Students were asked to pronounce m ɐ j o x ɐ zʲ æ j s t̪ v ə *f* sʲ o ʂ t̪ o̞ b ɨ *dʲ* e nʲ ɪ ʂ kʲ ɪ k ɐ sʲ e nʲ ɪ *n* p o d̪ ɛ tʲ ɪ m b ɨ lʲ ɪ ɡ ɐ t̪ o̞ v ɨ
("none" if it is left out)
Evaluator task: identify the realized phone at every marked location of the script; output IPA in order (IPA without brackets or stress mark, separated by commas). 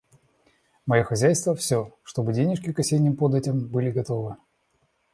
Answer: f, dʲ, m